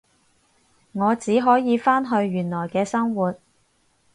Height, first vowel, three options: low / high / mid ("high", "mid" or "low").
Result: mid